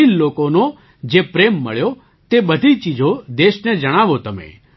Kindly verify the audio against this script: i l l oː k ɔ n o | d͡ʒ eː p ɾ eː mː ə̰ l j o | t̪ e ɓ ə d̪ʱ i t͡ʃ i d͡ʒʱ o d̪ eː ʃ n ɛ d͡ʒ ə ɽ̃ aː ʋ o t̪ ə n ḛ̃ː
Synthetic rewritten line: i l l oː k o n o | d͡ʒ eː p ɾ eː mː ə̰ ɭ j o | t̪ e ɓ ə d̪ʱ i t͡ʃ i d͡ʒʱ o d̪ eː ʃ n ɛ d͡ʒ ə ɽ̃ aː ʋ o t̪ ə m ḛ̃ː